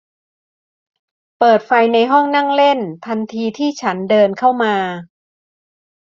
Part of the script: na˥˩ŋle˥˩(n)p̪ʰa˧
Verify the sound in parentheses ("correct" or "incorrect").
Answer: correct